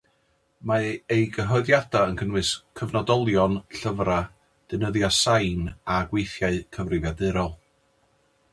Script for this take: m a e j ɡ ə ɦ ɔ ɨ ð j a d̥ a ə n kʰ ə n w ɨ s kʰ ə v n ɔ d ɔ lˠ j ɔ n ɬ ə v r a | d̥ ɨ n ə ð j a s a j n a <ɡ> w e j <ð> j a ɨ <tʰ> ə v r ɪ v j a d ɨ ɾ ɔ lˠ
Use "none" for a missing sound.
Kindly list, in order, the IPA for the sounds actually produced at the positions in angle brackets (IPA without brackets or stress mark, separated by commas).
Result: ɡ, θ, kʰ